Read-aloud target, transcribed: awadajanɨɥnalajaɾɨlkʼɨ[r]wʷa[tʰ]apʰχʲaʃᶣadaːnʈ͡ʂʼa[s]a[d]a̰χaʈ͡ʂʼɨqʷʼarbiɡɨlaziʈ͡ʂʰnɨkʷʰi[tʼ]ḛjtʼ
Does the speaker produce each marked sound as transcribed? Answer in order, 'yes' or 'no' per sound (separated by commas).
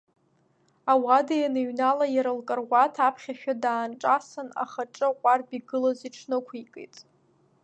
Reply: yes, yes, yes, no, no